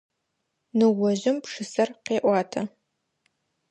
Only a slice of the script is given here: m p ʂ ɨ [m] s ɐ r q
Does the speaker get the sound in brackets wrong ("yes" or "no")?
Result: yes